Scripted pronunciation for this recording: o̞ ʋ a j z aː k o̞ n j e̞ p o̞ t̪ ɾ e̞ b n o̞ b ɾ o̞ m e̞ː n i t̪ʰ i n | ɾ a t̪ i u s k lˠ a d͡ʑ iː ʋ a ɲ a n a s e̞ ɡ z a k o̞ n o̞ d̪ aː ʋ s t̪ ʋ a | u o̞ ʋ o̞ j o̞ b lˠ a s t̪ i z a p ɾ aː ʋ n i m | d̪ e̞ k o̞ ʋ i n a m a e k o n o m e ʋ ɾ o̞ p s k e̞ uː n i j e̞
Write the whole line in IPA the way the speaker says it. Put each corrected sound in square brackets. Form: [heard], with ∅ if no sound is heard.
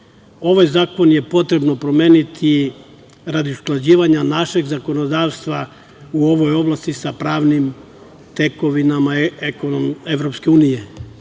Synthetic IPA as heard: o̞ ʋ a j z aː k o̞ n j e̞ p o̞ t̪ ɾ e̞ b n o̞ [p] ɾ o̞ m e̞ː n i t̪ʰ i [∅] | ɾ a [d̪] i u s k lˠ a d͡ʑ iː ʋ a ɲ a n a [ʃ] e̞ ɡ z a k o̞ n o̞ d̪ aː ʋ s t̪ ʋ a | u o̞ ʋ o̞ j o̞ b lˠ a s t̪ i [s] a p ɾ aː ʋ n i m | [t̪] e̞ k o̞ ʋ i n a m a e k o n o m e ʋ ɾ o̞ p s k e̞ uː n i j e̞